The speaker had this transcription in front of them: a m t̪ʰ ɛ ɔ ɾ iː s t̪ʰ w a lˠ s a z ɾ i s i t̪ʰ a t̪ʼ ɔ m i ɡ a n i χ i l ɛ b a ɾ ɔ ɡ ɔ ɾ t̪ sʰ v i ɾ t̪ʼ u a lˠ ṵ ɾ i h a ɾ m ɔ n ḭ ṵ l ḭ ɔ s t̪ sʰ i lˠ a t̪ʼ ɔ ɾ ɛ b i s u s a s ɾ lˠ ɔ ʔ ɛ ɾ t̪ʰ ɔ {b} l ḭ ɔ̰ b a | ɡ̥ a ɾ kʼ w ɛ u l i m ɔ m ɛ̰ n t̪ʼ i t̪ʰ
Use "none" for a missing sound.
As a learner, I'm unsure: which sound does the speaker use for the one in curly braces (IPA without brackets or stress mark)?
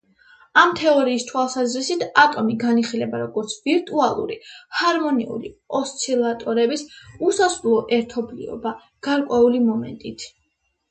b